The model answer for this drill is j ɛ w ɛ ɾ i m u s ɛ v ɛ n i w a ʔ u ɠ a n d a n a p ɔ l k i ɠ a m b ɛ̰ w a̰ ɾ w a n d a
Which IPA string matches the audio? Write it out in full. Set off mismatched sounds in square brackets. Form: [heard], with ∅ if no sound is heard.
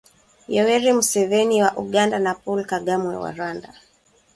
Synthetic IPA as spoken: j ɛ w ɛ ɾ i m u s ɛ v ɛ n i w a ʔ u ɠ a n d a n a p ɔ l k [a] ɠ a m [w] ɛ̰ w a̰ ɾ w a n d a

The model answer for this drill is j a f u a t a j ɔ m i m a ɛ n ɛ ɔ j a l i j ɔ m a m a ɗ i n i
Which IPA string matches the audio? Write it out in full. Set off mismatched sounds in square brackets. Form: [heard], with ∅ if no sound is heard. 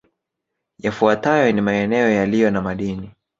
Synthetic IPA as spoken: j a f u a t a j ɔ [n] i m a ɛ n ɛ ɔ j a l i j ɔ [n] a m a ɗ i n i

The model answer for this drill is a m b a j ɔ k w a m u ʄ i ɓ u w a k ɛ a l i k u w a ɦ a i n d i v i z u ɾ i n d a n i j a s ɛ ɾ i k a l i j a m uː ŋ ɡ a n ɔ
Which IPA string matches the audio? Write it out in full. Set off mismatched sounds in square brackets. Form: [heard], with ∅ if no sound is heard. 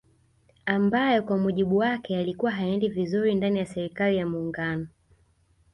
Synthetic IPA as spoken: a m b a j ɔ k w a m u ʄ i ɓ u w a k ɛ a l i k u w a ɦ a [ɛ] n d i v i z u ɾ i n d a n i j a s ɛ ɾ i k a l i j a m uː ŋ ɡ a n ɔ

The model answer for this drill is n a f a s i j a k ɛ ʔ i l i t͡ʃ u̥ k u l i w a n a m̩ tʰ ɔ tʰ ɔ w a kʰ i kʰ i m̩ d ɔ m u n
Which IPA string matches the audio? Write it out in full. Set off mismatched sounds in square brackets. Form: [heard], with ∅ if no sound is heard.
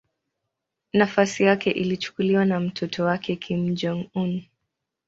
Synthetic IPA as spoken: n a f a s i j a k ɛ ʔ i l i t͡ʃ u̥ k u l i w a n a m̩ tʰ ɔ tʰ ɔ w a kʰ [ɛ] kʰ i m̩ [d͡ʒ] ɔ [ŋ] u n

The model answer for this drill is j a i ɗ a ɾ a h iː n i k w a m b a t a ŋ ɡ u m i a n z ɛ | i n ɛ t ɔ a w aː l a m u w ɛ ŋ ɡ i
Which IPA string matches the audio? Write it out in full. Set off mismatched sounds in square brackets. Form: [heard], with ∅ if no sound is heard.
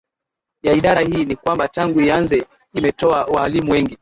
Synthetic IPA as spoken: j a i ɗ a ɾ a h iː n i k w a m b a t a ŋ ɡ u [∅] i a n z ɛ | i [m] ɛ t ɔ a w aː l [i] m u w ɛ ŋ ɡ i

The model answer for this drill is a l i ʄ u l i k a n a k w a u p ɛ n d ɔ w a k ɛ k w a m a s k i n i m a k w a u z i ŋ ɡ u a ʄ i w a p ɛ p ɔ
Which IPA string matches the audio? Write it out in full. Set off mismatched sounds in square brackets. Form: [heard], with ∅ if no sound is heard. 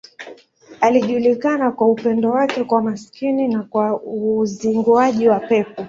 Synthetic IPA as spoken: a l i ʄ u l i k a n a k w a u p ɛ n d ɔ w a k ɛ k w a m a s k i n i [n] a k w a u z i ŋ ɡ u a ʄ i w a p ɛ p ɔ

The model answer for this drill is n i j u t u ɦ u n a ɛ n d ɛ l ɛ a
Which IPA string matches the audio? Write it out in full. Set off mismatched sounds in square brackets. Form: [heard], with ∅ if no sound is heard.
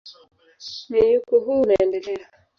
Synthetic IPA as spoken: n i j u [k] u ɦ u n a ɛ n d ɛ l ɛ a

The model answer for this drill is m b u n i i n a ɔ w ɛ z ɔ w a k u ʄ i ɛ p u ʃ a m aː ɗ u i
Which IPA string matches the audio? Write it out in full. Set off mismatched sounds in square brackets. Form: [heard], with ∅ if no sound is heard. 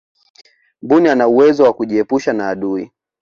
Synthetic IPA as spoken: m b u n i [a] n a [u] w ɛ z ɔ w a k u ʄ i ɛ p u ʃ a [n] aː ɗ u i

